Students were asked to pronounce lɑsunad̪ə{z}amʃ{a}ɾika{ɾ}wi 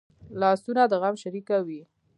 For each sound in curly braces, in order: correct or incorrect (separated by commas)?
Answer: incorrect, correct, incorrect